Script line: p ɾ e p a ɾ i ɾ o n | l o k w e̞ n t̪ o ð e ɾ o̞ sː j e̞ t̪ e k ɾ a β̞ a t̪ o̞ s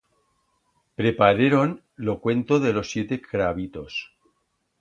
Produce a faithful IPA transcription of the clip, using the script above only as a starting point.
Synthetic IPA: p ɾ e p a ɾ e ɾ o n | l o k w e̞ n t̪ o ð e l o̞ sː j e̞ t̪ e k ɾ a β̞ i t̪ o̞ s